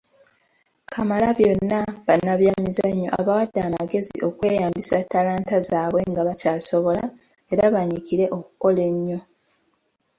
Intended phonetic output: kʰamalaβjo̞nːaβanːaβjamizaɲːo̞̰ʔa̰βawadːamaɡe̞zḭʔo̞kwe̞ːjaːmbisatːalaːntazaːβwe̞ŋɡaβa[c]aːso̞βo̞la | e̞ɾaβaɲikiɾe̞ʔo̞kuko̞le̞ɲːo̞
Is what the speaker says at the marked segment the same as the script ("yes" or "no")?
yes